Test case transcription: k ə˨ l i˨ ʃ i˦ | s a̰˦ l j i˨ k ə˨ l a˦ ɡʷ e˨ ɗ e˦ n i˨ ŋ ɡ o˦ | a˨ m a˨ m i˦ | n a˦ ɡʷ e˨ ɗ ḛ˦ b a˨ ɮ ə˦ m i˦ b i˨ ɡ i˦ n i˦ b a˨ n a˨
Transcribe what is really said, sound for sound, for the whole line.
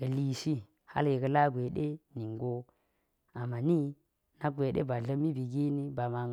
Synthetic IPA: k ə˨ l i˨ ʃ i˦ | h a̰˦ l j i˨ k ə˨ l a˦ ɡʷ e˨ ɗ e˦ n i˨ ŋ ɡ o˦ | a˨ m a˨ n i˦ | n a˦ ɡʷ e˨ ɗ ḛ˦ b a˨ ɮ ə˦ m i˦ b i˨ ɡ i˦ n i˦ b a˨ m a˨